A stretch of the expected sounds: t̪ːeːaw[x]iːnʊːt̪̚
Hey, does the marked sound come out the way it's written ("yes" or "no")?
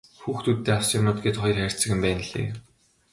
no